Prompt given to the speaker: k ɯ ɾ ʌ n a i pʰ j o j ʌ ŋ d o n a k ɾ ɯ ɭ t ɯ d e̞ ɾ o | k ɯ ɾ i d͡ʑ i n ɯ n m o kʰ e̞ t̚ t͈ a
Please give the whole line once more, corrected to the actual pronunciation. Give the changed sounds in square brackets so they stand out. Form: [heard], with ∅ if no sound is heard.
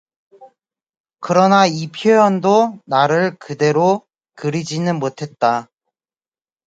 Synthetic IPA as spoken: k ɯ ɾ ʌ n a i pʰ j o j ʌ [n] d o n a [∅] ɾ ɯ ɭ [k] ɯ d e̞ ɾ o | k ɯ ɾ i d͡ʑ i n ɯ n m o [tʰ] e̞ t̚ t͈ a

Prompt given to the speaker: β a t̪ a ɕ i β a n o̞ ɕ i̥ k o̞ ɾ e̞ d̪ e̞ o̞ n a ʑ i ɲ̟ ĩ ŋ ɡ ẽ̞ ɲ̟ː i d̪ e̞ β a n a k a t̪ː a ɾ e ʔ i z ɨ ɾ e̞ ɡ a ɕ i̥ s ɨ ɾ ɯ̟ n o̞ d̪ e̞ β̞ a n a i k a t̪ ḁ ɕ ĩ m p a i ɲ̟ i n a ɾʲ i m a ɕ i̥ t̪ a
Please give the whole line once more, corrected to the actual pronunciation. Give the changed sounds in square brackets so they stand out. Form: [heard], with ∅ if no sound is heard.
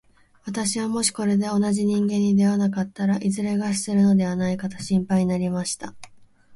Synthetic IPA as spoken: β a t̪ a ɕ i β a [m] o̞ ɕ i̥ k o̞ ɾ e̞ d̪ e̞ o̞ n a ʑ i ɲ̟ ĩ ŋ ɡ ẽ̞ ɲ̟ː i d̪ e̞ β a n a k a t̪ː a ɾ [a] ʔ i z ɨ ɾ e̞ ɡ a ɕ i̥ s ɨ ɾ ɯ̟ n o̞ d̪ e̞ β̞ a n a i k a t̪ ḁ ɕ ĩ m p a i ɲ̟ i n a ɾʲ i m a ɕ i̥ t̪ a

